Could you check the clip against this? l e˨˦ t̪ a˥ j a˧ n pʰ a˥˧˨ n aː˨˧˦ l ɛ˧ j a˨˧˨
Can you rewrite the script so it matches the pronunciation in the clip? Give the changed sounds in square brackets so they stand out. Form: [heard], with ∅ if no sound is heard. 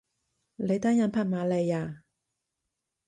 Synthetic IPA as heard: l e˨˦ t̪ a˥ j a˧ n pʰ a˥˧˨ [m] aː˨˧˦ l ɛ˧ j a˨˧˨